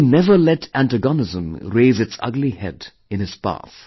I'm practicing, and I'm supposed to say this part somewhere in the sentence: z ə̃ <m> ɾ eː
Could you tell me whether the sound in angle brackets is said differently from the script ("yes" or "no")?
no